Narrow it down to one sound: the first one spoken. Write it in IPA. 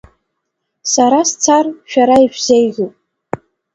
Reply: s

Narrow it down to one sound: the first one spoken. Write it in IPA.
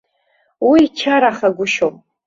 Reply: w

